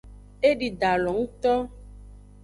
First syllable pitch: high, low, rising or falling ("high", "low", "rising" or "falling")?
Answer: high